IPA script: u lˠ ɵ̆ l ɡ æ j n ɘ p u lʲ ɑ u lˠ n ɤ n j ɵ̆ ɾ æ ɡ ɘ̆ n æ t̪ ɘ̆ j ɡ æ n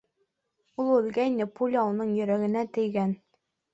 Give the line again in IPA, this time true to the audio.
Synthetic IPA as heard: u lˠ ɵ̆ l ɡ æ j n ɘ p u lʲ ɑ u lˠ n ɤ ɴ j ɵ̆ ɾ æ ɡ ɘ̆ n æ t̪ ɘ̆ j ɡ æ n